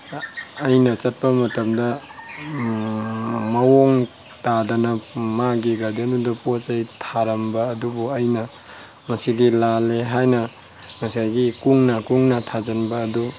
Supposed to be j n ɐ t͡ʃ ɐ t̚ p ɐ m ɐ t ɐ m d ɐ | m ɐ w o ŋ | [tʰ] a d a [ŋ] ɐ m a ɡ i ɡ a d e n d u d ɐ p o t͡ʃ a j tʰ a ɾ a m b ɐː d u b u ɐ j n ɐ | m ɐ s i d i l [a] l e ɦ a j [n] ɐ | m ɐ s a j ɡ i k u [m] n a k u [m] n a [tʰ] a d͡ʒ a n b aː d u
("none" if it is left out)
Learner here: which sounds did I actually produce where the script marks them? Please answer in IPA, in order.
t, n, a, n, ŋ, ŋ, tʰ

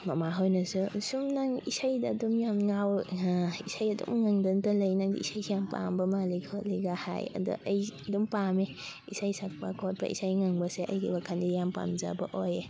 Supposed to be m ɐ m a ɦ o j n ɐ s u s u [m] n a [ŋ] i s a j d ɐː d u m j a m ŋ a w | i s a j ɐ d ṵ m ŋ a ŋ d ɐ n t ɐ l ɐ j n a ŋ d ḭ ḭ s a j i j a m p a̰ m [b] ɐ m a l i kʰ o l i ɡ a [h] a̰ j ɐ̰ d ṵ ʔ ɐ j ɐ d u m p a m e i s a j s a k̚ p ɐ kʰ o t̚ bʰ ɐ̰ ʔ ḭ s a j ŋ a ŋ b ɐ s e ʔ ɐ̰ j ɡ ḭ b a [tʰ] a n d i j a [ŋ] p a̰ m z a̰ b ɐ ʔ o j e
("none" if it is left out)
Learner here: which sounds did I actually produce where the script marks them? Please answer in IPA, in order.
m, ŋ, b, h, kʰ, m

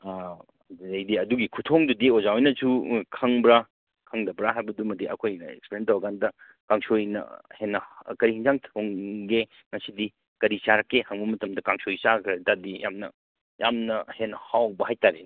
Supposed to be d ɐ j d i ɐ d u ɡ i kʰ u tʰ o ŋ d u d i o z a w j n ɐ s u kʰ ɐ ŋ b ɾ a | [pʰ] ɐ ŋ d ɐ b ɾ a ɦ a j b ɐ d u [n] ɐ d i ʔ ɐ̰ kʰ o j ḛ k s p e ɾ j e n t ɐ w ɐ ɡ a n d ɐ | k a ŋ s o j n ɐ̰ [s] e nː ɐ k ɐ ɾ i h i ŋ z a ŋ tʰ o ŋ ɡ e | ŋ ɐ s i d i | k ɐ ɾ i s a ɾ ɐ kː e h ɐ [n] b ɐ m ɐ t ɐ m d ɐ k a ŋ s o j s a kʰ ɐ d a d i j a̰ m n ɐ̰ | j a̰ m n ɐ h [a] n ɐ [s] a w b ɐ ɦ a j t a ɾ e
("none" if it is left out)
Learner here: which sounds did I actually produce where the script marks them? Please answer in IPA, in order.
kʰ, m, h, ŋ, e, h

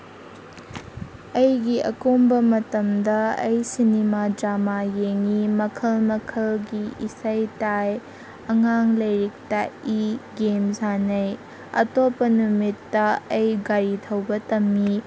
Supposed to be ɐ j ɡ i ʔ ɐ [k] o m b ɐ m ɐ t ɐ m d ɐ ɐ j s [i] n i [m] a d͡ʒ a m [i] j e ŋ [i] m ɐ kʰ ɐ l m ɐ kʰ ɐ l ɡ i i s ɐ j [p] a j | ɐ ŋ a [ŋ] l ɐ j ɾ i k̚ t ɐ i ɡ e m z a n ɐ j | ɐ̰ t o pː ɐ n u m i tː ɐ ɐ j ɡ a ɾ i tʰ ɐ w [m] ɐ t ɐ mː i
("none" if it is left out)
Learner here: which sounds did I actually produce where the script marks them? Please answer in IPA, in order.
k, i, m, a, i, t, ŋ, b

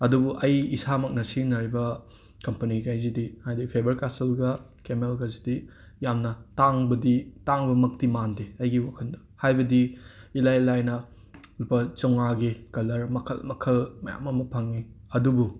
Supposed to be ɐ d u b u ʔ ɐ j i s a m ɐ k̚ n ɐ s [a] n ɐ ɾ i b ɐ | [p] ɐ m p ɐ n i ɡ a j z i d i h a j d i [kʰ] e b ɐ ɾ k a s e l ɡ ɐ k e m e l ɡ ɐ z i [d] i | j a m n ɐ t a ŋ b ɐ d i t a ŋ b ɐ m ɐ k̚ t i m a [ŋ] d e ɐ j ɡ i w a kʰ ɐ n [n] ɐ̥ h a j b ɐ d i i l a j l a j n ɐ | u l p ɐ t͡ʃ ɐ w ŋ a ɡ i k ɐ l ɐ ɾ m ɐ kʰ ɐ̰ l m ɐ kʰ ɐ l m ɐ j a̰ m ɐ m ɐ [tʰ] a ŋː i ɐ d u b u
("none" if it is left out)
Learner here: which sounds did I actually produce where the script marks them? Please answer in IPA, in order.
i, k, pʰ, d, n, d, pʰ

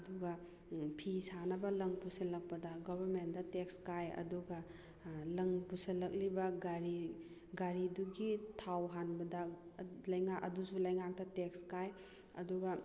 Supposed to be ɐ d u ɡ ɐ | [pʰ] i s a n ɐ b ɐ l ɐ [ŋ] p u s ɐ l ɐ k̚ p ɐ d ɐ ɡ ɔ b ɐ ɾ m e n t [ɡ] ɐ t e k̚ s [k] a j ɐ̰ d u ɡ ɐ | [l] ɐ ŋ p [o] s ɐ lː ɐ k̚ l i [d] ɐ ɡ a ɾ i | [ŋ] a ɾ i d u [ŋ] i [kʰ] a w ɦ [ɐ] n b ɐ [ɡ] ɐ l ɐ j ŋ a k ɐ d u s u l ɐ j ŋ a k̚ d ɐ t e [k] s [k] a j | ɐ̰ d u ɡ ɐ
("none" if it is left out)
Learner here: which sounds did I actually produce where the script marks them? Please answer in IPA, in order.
pʰ, ŋ, d, k, l, u, b, ɡ, ɡ, tʰ, a, d, k, k

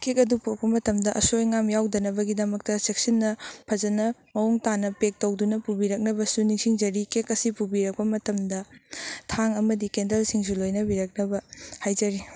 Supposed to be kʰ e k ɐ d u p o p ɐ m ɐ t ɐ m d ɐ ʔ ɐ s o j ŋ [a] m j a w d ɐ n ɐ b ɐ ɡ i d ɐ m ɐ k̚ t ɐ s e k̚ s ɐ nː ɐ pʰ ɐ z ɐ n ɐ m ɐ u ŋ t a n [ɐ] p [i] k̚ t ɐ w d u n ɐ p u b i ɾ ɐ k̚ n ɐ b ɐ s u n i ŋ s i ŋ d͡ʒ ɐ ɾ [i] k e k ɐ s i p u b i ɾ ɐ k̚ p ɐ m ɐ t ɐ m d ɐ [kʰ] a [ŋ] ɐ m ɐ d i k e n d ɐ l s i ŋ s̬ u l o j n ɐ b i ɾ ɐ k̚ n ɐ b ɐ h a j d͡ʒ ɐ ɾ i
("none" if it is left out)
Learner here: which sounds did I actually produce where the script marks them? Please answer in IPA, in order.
a, ɐ, e, i, tʰ, ŋ

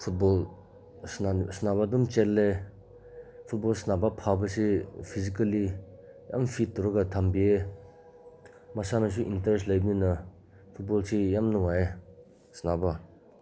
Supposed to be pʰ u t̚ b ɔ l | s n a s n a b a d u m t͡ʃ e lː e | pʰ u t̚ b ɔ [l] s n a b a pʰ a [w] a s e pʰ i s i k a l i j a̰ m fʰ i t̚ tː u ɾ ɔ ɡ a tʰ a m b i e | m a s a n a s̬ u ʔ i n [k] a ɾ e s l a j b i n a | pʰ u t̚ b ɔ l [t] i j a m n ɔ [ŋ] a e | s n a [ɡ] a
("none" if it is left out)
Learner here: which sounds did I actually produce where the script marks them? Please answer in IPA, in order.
l, b, t, s, ŋ, b

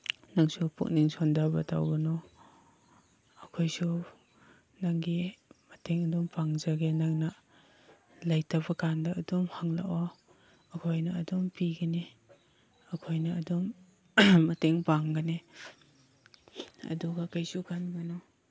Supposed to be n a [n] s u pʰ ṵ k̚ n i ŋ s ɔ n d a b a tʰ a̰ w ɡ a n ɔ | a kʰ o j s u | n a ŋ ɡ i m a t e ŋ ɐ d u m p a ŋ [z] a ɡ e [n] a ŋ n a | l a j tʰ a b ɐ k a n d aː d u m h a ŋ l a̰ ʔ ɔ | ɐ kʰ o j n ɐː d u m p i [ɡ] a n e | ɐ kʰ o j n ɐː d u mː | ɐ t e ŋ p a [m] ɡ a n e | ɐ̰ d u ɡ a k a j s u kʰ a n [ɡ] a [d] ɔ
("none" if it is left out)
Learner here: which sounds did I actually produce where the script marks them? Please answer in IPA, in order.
ŋ, z, n, ɡ, ŋ, ɡ, n

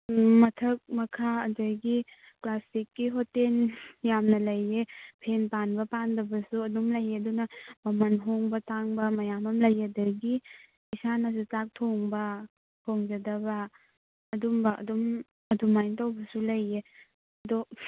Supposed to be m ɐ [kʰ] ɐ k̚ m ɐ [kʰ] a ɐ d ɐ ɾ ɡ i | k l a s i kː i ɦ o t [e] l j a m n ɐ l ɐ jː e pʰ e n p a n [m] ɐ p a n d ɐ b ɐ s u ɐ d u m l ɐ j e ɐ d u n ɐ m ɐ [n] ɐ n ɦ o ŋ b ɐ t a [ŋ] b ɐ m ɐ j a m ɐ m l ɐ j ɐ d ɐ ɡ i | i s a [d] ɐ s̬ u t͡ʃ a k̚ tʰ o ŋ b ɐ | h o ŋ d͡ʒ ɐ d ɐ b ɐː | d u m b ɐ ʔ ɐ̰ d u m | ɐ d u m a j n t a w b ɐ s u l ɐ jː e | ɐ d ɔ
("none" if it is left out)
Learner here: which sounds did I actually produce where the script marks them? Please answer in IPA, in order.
tʰ, kʰ, e, b, m, ŋ, n

